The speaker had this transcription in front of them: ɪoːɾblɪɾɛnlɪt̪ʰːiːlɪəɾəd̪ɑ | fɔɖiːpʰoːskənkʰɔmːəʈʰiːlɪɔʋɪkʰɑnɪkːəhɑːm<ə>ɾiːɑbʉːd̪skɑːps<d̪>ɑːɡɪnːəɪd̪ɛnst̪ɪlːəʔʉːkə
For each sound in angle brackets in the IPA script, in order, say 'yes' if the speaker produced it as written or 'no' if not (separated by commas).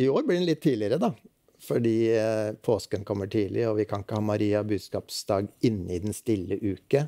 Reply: no, yes